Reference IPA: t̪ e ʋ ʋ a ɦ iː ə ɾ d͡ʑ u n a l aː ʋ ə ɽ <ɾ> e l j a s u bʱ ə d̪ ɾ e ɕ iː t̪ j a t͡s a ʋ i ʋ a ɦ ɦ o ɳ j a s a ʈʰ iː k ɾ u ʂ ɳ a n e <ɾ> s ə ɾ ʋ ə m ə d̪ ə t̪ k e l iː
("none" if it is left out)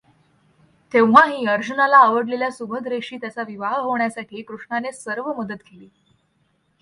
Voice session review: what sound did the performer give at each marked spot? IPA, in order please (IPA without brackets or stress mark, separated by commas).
l, none